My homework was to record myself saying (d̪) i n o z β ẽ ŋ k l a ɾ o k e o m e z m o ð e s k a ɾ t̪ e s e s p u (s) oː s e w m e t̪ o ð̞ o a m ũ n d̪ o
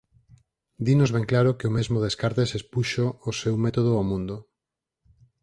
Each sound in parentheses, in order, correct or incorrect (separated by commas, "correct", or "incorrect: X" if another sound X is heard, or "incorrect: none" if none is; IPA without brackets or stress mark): correct, incorrect: ʃ